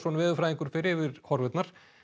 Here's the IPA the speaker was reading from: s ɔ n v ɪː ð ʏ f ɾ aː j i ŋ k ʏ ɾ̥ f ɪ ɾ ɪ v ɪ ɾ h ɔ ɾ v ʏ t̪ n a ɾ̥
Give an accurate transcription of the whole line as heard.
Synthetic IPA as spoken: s ɔ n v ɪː ð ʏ f ɾ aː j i ŋ k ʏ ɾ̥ f ɪ ɾ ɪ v ɪ ɾ h ɔ ɾ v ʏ t̪ n a ɾ̥

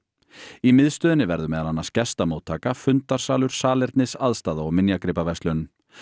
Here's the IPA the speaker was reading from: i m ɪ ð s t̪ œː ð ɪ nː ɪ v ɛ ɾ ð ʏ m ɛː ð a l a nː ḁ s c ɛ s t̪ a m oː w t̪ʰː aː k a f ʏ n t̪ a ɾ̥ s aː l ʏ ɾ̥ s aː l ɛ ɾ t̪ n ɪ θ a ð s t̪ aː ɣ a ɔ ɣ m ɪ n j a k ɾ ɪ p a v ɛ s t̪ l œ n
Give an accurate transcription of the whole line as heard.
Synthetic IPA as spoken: i m ɪ ð s t̪ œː ð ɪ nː ɪ v ɛ ɾ ð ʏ m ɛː ð a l a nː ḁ s c ɛ s t̪ a m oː w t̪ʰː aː k a f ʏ n t̪ a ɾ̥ s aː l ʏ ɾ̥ s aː l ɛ ɾ t̪ n ɪ s a ð s t̪ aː ð a ɔ ɣ m ɪ n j a k ɾ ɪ p a v ɛ s t̪ l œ n

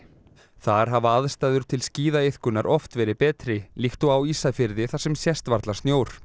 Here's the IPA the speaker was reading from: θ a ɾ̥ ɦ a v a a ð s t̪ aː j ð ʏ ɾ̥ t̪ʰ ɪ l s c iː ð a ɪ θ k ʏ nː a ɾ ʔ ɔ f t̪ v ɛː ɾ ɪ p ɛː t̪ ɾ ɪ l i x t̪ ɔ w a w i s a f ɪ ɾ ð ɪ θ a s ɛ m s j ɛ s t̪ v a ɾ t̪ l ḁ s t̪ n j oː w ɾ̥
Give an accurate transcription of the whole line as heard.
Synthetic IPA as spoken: θ a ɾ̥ ɦ a v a a ð s t̪ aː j ð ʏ ɾ̥ t̪ʰ ɪ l s c iː ð a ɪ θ k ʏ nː a ɾ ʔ ɔ f t̪ v ɛː ɾ ɪ p ɛː t̪ ɾ ɪ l i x t̪ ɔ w a w i s a f ɪ ɾ ð ɪ θ a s ɛ m s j ɛ s t̪ v a ɾ t̪ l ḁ s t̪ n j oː w ɾ̥

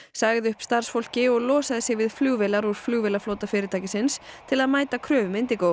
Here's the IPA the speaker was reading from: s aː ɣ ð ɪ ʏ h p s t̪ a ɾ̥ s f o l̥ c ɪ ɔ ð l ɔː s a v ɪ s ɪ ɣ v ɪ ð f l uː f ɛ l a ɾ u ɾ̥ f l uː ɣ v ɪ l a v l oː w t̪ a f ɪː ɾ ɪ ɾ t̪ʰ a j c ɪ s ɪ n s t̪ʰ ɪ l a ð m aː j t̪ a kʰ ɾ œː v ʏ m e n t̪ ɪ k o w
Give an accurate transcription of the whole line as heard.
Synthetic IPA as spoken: s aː ɣ ð ɪ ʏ h p s t̪ a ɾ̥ s f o l̥ c ɪ ɔ ɣ l ɔː s a ð ɪ s ɪ ɣ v ɪ ð f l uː v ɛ l a ɾ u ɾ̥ f l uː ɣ v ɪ l a f l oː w t̪ a f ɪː ɾ ɪ ɾ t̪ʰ a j c ɪ s ɪ n s t̪ʰ ɪ l a ð m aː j t̪ a kʰ ɾ œː v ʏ m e n t̪ ɪ k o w

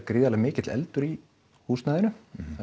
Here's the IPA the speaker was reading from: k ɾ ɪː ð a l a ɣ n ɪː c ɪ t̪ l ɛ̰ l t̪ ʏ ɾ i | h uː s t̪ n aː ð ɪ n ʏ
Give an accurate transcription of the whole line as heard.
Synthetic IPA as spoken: k ɾ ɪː ð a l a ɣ m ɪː c ɪ t̪ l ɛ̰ l t̪ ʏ ɾ i | h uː s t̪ n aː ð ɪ n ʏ

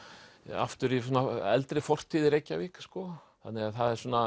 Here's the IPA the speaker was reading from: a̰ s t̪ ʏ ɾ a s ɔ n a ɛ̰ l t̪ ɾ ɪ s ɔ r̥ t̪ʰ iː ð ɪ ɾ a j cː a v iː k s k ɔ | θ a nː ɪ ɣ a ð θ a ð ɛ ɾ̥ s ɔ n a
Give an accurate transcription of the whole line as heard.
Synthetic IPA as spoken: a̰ f t̪ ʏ ɾ i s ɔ n a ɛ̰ l t̪ ɾ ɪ f ɔ r̥ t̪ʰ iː ð ɪ ɾ e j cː a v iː k s k ɔ | θ a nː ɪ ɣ a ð θ a ð ɛ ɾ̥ s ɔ n a

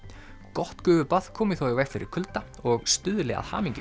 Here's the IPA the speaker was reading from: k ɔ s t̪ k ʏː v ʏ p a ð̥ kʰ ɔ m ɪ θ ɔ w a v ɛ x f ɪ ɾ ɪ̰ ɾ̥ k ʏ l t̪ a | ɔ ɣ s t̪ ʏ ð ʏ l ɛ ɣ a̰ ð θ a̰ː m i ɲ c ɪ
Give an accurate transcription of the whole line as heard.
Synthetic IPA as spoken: k ɔ h t̪ k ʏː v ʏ p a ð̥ kʰ ɔː m ɪ θ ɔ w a v ɛ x f ɪ ɾ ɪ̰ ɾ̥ kʰ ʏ l t̪ a | ɔ ɣ s t̪ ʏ ð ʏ l ɛ ɣ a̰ ð h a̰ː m i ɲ c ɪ

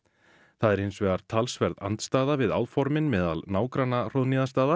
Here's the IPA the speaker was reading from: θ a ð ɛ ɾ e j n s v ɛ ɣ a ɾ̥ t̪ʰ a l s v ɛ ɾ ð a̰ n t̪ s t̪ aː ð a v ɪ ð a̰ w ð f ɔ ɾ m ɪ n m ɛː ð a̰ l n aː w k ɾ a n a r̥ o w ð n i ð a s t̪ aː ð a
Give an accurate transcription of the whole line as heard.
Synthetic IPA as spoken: θ a ð ɛ ɾ e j n s v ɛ ɣ a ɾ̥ t̪ʰ a l s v ɛ ɾ ð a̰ n t̪ s t̪ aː ð a v ɪ ð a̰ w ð f ɔ ɾ m ɪ n m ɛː ð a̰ l n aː w k ɾ a n a r̥ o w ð n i ð a s t̪ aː ð a

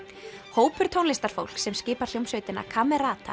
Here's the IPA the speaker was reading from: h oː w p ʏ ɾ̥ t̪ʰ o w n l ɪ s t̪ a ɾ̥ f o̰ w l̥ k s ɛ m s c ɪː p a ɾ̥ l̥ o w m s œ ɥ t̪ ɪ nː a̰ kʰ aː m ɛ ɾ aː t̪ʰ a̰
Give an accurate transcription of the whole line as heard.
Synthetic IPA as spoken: h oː w p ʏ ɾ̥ t̪ʰ o w n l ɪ s t̪ a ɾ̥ f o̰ w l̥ k s ɛ m s c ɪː p a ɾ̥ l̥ o w m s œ ɥ t̪ ɪ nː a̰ kʰ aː m ɛ ɾ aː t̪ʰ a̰

